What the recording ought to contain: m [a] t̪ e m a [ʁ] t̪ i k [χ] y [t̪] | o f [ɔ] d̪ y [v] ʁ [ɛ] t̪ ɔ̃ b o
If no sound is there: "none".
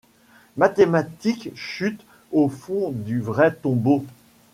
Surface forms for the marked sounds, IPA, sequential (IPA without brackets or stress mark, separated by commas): a, none, ʃ, t̪, ɔ̃, v, ɛ